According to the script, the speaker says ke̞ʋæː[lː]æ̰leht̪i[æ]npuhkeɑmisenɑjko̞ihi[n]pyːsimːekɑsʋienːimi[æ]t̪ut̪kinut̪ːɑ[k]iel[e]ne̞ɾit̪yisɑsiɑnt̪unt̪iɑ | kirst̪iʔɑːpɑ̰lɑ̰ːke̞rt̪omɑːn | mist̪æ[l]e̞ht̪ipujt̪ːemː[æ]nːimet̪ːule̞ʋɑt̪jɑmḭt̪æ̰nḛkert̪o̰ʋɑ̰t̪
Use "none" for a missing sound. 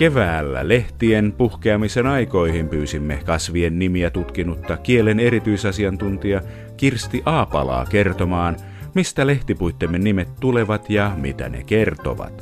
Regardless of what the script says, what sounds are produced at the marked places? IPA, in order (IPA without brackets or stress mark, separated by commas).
lː, e, m, æ, k, e, l, e